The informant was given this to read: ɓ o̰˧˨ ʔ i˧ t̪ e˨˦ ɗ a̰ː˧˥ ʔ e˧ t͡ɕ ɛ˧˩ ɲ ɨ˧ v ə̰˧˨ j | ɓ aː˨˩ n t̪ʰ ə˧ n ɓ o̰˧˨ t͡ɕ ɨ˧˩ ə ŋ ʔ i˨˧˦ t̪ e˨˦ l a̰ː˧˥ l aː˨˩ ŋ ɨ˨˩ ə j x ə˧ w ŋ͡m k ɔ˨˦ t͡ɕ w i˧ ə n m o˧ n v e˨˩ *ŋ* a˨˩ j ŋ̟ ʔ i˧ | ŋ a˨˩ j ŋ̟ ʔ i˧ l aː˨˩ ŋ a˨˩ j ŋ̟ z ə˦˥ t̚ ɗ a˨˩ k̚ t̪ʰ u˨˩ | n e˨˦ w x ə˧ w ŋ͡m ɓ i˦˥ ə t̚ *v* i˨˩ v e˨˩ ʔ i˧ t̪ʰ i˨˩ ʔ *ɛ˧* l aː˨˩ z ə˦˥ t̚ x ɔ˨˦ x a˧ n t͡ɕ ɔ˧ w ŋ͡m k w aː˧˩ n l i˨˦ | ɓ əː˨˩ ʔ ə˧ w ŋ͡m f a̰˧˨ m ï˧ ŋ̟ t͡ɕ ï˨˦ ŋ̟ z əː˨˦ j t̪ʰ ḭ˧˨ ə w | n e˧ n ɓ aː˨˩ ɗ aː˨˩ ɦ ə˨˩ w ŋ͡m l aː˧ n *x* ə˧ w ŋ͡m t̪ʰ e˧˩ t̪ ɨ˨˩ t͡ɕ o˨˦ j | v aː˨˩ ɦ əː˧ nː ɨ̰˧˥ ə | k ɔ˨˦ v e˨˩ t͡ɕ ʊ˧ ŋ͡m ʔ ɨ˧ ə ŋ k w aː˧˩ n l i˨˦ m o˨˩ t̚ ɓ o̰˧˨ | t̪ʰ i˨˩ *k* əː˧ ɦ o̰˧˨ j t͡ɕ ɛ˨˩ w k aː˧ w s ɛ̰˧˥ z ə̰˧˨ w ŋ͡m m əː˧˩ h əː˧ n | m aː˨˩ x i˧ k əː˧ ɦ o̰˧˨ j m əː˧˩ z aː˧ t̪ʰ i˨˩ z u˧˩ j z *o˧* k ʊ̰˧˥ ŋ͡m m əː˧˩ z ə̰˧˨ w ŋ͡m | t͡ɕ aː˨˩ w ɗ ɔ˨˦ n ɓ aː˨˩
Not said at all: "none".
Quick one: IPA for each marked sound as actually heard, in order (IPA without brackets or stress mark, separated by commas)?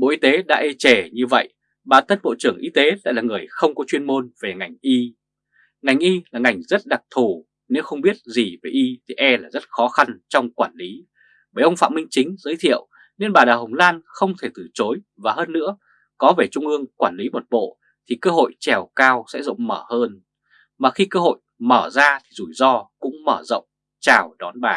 ŋ, z, ɛ˧, x, k, ɔ˧